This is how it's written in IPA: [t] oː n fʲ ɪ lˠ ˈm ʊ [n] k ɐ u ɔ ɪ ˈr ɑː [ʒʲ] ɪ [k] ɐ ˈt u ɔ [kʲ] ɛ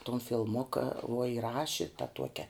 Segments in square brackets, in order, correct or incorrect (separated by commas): correct, incorrect, incorrect, incorrect, correct